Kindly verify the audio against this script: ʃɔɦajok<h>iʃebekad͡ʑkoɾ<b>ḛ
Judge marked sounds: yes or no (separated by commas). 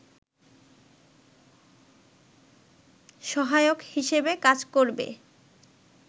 yes, yes